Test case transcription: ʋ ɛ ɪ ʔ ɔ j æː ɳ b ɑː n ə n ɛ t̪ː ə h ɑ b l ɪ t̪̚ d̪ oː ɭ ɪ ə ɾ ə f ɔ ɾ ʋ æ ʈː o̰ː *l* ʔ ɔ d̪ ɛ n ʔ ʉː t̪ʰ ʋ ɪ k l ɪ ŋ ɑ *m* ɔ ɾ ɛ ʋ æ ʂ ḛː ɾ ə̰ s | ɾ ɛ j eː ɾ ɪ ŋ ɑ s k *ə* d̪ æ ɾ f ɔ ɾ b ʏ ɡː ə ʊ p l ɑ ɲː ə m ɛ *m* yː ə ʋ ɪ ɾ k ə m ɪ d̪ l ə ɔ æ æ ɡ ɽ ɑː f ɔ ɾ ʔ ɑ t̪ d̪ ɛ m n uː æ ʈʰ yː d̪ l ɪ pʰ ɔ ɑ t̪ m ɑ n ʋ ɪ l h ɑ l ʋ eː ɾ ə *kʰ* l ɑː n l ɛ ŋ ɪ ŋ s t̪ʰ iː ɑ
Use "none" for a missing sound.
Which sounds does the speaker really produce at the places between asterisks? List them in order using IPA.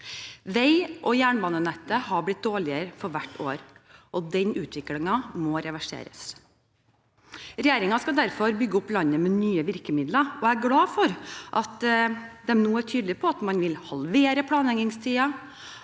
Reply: ɾ, m, ɑ, n, pʰ

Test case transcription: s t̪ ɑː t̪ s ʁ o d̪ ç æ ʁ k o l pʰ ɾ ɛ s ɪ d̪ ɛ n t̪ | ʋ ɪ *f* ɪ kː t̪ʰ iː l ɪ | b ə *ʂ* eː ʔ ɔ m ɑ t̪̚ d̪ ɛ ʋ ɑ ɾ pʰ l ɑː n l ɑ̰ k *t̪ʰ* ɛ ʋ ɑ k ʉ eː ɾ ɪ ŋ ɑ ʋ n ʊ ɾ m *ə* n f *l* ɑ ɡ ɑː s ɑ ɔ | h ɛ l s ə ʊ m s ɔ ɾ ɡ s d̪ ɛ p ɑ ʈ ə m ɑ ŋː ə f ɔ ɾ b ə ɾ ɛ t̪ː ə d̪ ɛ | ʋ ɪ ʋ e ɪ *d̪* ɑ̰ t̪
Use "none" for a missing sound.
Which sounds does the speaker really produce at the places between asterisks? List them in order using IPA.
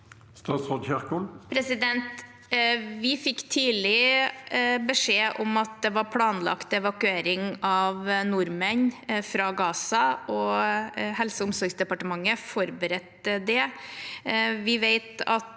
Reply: f, ʂ, t̪, ə, ɾ, t̪

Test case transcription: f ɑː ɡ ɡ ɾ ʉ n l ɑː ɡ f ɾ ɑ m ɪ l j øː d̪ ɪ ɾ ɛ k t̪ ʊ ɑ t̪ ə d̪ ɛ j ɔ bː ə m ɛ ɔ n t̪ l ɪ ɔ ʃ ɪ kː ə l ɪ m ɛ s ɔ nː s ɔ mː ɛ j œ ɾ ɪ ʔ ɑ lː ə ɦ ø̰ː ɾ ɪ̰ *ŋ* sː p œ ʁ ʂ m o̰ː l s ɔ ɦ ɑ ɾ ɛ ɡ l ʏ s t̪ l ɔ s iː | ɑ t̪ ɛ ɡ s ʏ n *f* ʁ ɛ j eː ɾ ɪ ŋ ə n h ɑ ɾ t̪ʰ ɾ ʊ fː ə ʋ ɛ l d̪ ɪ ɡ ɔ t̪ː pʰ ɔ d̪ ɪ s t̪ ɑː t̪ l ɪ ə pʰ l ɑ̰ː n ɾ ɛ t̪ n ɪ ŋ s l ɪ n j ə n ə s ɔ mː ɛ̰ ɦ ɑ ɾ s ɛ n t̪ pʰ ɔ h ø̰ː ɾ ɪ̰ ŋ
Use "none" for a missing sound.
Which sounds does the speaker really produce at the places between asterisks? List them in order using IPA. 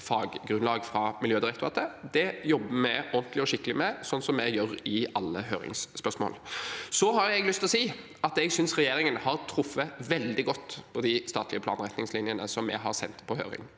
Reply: ŋ, s

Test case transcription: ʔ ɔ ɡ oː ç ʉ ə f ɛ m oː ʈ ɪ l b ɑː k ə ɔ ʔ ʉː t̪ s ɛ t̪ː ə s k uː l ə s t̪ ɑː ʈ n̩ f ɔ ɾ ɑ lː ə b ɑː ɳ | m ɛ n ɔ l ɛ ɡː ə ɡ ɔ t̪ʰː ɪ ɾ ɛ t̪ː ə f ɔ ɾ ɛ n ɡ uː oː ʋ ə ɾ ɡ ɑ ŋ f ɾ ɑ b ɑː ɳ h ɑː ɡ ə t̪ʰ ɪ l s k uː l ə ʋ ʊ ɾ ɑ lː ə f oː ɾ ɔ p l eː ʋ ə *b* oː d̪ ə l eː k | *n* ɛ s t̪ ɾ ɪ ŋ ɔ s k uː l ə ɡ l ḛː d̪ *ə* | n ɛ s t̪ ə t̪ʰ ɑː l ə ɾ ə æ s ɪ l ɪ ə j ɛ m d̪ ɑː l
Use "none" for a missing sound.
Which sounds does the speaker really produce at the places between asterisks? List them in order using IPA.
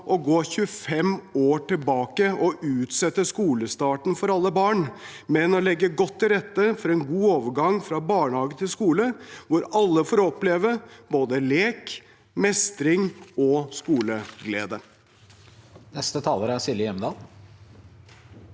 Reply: b, m, ə

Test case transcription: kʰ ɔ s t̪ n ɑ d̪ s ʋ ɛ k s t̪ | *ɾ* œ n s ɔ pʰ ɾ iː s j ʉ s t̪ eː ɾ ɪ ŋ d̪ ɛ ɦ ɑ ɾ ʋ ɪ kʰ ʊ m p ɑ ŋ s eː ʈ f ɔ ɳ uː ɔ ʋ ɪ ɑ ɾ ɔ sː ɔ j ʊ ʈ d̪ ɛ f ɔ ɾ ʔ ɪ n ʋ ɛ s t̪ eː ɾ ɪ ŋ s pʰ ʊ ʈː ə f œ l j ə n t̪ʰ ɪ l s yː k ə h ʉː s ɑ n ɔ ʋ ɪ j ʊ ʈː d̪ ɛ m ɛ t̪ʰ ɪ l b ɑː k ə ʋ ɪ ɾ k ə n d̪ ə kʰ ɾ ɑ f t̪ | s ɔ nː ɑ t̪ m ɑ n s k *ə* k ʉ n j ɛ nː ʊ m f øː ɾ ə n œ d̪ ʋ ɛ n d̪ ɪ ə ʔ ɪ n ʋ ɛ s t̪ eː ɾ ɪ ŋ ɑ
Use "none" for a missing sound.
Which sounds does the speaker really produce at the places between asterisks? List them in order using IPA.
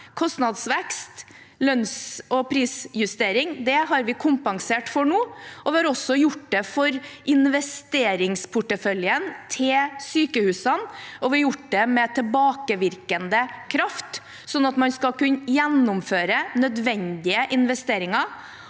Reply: l, ɑ

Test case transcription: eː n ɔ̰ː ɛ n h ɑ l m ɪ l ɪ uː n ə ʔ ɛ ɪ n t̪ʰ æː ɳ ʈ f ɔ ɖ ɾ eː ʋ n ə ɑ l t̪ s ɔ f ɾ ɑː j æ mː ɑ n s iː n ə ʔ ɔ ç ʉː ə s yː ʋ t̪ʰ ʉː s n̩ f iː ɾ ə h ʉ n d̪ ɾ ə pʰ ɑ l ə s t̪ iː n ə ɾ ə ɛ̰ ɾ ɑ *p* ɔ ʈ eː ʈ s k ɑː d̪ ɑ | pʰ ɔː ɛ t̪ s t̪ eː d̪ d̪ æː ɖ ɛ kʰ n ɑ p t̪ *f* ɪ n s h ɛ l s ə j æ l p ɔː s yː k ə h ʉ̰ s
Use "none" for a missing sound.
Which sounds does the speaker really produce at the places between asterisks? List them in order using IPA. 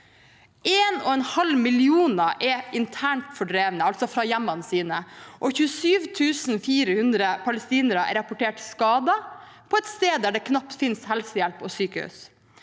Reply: p, f

